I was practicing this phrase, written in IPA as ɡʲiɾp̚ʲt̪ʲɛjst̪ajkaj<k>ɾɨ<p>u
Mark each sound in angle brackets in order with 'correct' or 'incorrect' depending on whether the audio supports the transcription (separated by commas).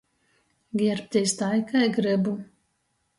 incorrect, incorrect